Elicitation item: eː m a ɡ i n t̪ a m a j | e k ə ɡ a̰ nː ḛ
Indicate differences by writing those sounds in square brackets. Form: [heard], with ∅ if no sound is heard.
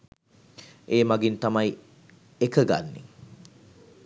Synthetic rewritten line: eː m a ɡ i n t̪ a m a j | e k ə ɡ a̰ nː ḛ